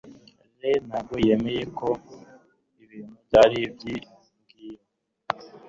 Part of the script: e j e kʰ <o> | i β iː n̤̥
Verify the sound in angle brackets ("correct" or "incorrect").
correct